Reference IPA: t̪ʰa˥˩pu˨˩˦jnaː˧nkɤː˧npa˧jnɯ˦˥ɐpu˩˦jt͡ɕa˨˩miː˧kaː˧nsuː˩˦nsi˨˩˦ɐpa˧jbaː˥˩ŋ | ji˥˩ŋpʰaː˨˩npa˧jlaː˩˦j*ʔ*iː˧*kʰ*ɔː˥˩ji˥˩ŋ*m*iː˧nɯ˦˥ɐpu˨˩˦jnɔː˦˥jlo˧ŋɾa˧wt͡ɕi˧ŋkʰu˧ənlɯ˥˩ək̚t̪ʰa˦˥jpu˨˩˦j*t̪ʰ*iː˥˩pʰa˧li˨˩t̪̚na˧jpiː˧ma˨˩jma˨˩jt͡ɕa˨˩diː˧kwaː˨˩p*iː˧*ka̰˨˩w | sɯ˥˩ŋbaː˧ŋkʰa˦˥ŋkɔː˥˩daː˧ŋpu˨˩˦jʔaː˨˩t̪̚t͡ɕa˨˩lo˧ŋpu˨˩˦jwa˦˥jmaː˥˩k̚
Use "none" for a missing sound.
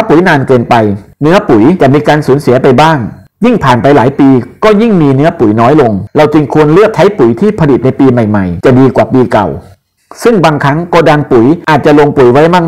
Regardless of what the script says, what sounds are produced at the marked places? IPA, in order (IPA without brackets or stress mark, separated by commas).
p, k, m, t̪ʰ, iː˧